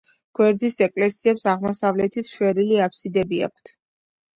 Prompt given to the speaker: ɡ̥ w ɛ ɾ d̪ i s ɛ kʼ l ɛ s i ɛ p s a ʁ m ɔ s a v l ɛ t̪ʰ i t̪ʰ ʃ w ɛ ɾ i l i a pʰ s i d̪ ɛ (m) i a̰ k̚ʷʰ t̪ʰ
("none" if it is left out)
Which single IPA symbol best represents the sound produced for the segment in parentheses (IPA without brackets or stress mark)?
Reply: b